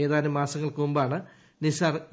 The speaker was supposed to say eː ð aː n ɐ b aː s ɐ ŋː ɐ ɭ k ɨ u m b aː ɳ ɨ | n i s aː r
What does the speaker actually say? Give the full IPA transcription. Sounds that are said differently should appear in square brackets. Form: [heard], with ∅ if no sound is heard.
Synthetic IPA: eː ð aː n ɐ [m] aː s ɐ ŋː ɐ ɭ k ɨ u m b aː ɳ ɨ | n i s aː r